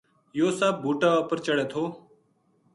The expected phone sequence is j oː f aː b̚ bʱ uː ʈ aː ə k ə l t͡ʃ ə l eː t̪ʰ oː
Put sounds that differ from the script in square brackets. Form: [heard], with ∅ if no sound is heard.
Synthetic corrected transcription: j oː [s] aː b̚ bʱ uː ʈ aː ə [p] ə [ɾ] t͡ʃ ə [ɽ] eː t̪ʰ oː

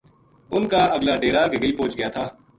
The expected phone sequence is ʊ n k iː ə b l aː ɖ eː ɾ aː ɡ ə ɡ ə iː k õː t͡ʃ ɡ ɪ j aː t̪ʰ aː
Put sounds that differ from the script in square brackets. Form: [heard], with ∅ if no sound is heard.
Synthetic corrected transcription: ʊ n k [aː] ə [ɡ] l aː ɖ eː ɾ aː ɡ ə ɡ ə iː [p] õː t͡ʃ ɡ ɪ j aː t̪ʰ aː

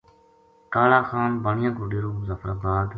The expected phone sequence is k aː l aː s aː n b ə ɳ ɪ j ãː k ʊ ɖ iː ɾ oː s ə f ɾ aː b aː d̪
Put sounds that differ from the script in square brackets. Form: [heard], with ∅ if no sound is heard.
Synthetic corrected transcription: k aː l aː [x] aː n b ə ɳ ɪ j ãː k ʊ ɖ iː ɾ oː [z] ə f ɾ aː b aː d̪

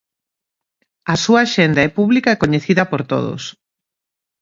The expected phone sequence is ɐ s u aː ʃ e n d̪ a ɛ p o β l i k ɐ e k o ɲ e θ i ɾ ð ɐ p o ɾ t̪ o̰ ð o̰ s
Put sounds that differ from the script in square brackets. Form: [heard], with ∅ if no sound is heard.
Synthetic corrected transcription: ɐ s u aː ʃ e n d̪ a ɛ p [u] β l i k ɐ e k o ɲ e θ i [∅] ð ɐ p o ɾ t̪ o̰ ð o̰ s

